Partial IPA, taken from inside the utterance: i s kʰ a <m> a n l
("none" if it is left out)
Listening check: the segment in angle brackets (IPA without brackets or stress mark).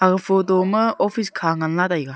ŋ